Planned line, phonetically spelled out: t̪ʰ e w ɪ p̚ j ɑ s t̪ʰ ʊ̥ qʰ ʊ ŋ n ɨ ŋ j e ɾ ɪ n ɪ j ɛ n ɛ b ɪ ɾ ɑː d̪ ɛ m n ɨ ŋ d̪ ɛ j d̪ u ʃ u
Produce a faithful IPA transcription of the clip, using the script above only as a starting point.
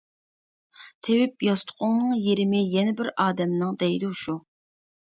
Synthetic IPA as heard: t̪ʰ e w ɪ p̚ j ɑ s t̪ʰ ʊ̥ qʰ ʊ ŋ n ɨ ŋ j e ɾ ɪ m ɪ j ɛ n ɛ b ɪ ɾ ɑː d̪ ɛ m n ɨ ŋ d̪ ɛ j d̪ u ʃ u